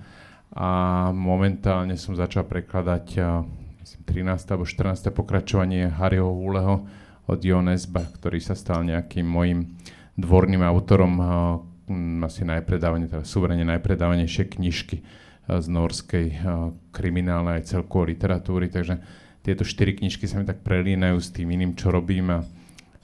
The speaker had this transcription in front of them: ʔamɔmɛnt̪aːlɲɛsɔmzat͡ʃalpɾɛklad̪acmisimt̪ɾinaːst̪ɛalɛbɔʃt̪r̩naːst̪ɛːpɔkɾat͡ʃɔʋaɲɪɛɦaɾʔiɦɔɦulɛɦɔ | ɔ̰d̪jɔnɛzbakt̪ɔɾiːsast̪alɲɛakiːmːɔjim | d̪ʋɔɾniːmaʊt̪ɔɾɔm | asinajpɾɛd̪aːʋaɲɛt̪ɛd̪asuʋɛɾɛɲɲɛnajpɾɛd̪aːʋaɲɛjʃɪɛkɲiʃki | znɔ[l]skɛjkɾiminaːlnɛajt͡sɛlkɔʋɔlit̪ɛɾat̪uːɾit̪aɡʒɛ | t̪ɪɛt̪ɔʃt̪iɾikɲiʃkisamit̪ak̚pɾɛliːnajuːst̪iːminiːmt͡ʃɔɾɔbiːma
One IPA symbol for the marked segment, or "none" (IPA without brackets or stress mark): ɾ